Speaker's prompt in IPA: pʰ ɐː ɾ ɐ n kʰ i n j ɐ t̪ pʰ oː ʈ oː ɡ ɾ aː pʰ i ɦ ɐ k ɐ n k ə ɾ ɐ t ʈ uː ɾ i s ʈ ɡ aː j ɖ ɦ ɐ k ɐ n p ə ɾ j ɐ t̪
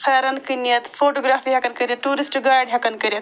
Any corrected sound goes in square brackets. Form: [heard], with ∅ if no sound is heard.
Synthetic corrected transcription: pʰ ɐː ɾ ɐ n [k] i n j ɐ t̪ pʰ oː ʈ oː ɡ ɾ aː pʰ i ɦ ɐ k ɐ n k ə ɾ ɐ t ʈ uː ɾ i s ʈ ɡ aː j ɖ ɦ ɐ k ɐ n [k] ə ɾ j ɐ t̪